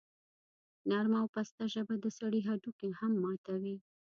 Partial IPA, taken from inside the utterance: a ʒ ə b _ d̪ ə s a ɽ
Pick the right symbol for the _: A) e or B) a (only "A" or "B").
B